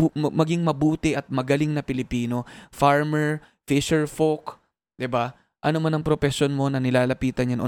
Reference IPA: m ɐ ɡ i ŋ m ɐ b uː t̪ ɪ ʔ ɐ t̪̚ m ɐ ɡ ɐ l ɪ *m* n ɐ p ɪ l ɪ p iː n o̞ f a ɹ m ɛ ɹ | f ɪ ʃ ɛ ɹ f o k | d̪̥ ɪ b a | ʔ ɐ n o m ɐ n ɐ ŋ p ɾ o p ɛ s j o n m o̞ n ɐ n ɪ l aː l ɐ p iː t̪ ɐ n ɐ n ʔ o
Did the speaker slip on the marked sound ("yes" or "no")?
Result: yes